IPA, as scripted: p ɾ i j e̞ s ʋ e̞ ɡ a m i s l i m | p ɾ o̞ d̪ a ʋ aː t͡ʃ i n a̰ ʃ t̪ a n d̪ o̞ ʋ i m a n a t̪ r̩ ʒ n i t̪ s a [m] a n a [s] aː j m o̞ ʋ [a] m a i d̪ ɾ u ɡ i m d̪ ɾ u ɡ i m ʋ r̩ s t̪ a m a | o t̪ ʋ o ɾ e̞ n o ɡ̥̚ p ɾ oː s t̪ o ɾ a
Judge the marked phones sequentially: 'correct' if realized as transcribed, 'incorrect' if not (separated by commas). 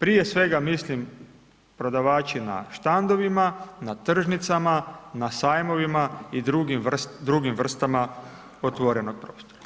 correct, correct, incorrect